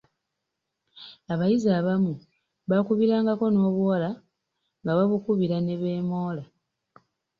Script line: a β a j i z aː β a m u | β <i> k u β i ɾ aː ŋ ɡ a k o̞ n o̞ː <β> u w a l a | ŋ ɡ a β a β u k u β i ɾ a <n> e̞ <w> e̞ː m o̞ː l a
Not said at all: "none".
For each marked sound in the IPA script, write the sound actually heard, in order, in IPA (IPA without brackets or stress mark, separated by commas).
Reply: a, β, n, β